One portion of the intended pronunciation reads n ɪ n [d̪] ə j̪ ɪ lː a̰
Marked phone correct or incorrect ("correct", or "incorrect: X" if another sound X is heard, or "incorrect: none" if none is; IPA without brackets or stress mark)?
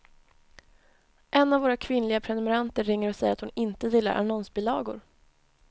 incorrect: t̪